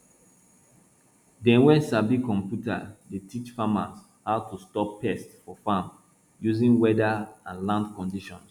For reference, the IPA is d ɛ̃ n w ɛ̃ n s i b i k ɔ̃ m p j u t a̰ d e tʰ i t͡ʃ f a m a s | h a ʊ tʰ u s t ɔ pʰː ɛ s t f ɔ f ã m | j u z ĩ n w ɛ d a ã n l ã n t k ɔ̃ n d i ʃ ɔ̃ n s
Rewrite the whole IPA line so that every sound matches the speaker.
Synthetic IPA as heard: d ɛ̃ n w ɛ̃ n s a b i k ɔ̃ m p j u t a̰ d e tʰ i t͡ʃ f a m a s | h a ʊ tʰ u s t ɔ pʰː ɛ s t f ɔ f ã m | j u z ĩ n w ɛ d a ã n l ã n d k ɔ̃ n d i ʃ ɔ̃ n s